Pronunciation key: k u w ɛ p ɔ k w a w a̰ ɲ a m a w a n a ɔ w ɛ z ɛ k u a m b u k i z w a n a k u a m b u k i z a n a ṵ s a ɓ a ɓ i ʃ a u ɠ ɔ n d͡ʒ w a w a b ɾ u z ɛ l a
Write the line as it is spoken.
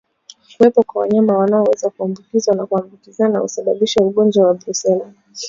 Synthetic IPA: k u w ɛ p ɔ k w a w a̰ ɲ a m a w a n a ɔ w ɛ z a k u a m b u k i z w a n a k u a m b u k i z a n a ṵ s a ɓ a ɓ i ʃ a u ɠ ɔ n d͡ʒ w a w a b ɾ u s ɛ l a